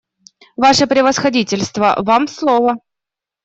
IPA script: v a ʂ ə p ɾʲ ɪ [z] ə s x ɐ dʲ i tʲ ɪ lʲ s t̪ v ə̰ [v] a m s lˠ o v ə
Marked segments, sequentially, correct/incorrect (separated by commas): incorrect, correct